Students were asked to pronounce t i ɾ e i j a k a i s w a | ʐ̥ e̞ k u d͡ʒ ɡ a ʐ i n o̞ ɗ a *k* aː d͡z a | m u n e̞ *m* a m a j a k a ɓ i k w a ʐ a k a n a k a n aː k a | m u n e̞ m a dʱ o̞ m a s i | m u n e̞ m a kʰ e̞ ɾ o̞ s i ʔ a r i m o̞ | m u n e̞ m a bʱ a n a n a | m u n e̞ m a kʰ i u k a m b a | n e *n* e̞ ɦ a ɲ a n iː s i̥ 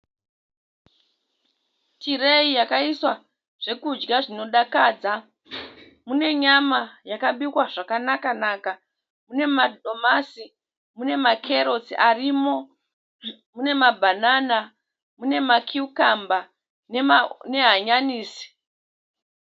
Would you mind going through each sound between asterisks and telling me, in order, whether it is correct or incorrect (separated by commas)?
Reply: correct, incorrect, correct